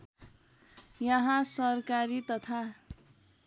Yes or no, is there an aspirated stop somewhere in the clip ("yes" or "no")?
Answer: yes